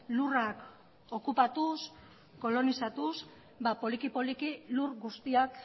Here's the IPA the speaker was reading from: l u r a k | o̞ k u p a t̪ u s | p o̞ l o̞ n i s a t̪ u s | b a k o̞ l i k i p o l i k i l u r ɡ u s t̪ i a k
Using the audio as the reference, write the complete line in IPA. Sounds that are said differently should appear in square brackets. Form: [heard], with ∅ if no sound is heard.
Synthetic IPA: l u r a k | o̞ k u p a t̪ u s | [k] o̞ l o̞ n i s a t̪ u s | b a [p] o̞ l i k i p o l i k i l u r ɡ u s t̪ i a k